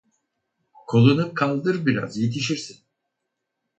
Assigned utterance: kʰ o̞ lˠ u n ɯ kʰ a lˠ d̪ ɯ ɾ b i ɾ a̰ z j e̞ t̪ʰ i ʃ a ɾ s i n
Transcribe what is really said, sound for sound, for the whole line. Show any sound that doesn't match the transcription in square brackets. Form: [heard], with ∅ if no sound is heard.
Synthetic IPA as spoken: kʰ o̞ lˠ u n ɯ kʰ a lˠ d̪ ɯ ɾ b i ɾ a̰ z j e̞ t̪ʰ i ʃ [i] ɾ s i n